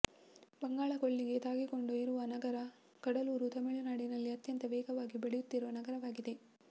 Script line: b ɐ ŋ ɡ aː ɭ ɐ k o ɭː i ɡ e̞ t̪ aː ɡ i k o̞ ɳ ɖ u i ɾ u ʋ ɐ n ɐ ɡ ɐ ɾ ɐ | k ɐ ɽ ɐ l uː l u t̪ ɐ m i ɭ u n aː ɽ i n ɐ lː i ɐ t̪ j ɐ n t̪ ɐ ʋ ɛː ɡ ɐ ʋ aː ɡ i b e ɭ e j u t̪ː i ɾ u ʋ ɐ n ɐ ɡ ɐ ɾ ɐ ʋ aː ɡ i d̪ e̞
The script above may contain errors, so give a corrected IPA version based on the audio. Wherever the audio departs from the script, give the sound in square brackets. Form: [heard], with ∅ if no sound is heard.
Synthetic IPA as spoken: b ɐ ŋ ɡ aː ɭ ɐ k o ɭː i ɡ e̞ t̪ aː ɡ i k o̞ ɳ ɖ u i ɾ u ʋ ɐ n ɐ ɡ ɐ ɾ ɐ | k ɐ ɽ ɐ l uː [ɾ] u t̪ ɐ m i ɭ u n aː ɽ i n ɐ lː i ɐ t̪ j ɐ n t̪ ɐ ʋ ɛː ɡ ɐ ʋ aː ɡ i b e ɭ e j u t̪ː i ɾ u ʋ ɐ n ɐ ɡ ɐ ɾ ɐ ʋ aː ɡ i d̪ e̞